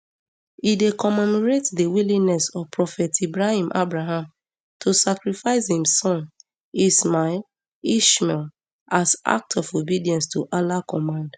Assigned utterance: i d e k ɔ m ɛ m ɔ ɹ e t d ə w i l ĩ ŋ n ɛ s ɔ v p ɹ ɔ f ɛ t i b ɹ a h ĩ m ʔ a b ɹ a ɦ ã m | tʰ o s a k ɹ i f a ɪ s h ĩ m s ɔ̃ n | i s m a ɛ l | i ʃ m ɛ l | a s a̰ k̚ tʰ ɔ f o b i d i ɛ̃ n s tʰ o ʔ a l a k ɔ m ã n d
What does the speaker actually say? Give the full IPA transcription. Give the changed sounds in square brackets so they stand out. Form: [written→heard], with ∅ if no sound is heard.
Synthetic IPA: i d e k ɔ m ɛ m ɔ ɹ e t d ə w i l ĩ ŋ n ɛ s ɔ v p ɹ ɔ f ɛ t i b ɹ a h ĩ m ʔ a b ɹ a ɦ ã m | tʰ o s a k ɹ i f a ɪ s h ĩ m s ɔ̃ n | i s m a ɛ l | i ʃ m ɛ l | a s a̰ k̚ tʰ ɔ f o b i d i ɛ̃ n s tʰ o ʔ a l a k ɔ m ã n d